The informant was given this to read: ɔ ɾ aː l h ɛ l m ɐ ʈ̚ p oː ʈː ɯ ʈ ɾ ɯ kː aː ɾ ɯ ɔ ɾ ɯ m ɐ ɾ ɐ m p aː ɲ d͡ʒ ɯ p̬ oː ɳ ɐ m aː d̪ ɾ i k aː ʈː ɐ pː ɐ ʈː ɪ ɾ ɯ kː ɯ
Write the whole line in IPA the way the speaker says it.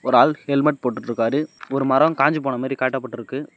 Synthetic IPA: ɔ ɾ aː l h ɛ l m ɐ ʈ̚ p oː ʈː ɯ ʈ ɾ ɯ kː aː ɾ ɯ ɔ ɾ ɯ m ɐ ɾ ɐ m k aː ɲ d͡ʒ ɯ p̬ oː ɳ ɐ m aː d̪ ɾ i k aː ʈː ɐ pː ɐ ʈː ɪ ɾ ɯ kː ɯ